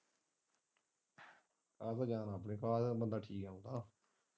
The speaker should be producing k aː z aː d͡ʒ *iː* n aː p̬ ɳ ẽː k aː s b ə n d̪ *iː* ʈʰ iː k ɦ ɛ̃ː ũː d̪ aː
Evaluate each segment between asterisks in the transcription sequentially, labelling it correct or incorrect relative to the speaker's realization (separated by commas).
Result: incorrect, incorrect